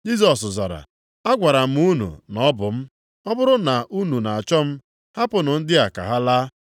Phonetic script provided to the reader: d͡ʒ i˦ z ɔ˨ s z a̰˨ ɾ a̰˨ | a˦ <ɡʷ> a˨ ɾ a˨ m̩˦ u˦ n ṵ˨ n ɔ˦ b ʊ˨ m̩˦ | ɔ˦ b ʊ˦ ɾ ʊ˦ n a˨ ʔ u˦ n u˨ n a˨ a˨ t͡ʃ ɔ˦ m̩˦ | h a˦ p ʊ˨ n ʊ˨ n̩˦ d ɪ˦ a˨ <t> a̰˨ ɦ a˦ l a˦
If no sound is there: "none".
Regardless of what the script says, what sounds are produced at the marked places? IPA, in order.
ɡʷ, k

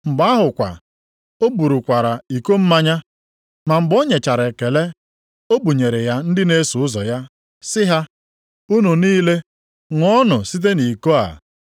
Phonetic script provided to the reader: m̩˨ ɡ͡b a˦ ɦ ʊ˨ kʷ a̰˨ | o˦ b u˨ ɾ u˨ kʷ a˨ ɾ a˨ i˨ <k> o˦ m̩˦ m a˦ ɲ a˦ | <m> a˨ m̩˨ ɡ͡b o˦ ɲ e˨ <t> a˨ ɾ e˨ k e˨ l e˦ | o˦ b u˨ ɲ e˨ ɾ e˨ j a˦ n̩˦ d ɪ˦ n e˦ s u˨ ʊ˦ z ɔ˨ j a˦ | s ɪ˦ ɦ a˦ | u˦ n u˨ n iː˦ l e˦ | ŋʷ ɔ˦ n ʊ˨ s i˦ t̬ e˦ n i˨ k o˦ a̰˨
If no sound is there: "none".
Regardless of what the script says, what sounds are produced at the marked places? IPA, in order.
k, m, t͡ʃ

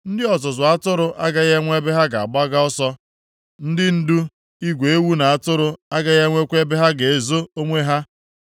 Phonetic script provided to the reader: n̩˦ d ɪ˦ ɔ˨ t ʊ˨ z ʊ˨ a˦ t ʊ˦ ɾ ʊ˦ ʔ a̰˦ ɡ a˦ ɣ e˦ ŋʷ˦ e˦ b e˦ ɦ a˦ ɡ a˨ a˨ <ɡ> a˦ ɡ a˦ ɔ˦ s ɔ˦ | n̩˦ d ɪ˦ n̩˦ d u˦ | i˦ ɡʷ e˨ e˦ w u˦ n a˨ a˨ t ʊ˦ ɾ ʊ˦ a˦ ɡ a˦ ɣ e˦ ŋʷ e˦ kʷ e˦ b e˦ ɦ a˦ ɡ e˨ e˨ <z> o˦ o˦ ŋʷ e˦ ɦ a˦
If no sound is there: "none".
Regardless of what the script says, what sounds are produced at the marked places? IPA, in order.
ɡ͡b, z

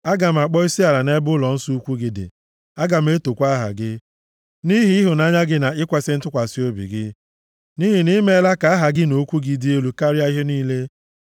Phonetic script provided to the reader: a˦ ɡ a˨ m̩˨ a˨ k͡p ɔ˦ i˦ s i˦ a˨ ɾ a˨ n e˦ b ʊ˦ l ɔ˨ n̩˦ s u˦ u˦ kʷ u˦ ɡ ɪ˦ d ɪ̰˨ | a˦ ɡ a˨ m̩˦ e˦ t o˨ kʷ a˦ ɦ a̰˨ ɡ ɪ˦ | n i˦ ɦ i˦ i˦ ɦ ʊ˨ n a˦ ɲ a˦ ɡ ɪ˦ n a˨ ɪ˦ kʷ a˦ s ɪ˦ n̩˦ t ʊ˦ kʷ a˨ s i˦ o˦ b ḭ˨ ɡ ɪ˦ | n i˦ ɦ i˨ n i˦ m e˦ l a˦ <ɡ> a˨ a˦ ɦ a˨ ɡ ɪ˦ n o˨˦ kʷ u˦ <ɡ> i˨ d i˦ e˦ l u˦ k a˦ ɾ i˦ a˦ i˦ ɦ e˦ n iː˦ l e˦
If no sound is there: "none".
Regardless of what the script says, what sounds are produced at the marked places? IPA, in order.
k, ɡ

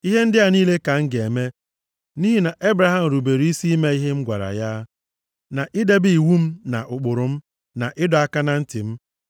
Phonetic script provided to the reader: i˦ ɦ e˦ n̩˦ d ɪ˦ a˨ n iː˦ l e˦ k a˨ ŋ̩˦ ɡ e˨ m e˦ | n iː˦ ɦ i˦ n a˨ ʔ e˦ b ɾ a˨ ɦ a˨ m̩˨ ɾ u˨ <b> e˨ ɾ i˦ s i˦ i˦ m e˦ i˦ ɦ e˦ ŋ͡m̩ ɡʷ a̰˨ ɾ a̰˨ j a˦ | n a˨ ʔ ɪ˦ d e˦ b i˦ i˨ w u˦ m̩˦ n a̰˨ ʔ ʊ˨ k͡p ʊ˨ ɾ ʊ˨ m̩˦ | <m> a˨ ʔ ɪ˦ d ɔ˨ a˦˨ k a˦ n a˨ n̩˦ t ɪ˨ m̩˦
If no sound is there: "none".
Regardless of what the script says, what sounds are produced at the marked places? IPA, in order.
b, n

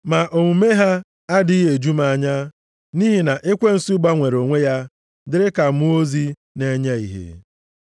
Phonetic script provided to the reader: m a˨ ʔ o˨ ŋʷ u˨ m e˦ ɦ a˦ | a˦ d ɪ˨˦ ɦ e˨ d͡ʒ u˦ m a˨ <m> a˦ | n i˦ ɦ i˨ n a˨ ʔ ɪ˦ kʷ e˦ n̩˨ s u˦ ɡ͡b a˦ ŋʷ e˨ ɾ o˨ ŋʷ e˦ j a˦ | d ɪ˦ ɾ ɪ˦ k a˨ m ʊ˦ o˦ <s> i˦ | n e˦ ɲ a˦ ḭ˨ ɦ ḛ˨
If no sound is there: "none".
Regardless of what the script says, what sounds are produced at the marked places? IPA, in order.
ɲ, z

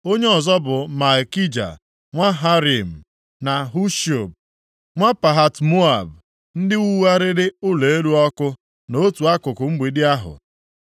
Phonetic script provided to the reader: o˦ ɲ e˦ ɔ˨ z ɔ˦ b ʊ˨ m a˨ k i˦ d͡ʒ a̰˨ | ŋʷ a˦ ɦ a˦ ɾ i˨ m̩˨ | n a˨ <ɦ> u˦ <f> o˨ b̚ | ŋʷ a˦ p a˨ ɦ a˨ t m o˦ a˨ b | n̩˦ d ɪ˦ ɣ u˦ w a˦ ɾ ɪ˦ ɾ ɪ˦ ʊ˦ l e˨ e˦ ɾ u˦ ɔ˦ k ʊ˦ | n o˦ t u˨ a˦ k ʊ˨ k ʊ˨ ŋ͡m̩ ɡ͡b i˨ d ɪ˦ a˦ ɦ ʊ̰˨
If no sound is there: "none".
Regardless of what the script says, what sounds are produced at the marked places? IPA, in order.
ɦ, ʃ

